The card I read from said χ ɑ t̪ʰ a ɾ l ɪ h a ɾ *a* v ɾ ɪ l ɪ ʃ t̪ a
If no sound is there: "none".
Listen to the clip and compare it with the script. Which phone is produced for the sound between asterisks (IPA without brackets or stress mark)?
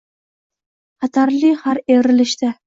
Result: e